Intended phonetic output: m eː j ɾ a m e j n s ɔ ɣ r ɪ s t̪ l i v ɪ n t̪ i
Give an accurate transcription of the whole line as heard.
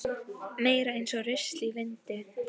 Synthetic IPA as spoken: m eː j ɾ a e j n s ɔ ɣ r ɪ s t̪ l i v ɪ n t̪ ɪ